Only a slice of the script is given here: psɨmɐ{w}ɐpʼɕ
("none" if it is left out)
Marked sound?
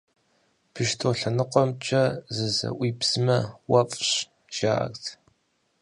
w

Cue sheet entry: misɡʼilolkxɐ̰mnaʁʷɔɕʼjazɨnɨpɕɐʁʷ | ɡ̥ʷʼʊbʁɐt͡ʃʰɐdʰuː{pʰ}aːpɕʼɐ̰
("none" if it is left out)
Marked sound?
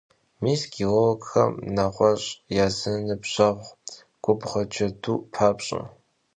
pʰ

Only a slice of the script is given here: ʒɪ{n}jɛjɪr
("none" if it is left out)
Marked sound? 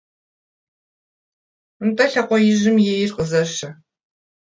m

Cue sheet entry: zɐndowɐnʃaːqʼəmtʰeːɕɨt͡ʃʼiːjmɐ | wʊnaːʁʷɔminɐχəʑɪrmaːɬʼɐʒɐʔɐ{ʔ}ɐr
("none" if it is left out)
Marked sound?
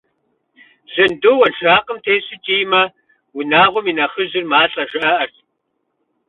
ʔ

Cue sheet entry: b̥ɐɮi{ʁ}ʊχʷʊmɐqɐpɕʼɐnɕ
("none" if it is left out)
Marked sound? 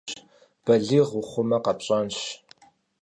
ʁ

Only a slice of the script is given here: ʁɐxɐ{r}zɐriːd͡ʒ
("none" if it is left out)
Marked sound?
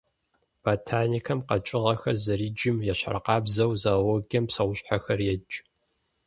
r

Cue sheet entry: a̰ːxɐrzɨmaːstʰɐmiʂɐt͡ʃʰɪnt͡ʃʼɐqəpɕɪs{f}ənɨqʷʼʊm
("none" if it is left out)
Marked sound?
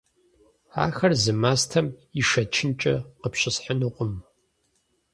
ħ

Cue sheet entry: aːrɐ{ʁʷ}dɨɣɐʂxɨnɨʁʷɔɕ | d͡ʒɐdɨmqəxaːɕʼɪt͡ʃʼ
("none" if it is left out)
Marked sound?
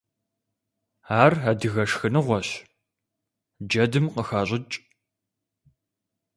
none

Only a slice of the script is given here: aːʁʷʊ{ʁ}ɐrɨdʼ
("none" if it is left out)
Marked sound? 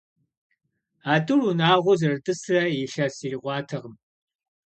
z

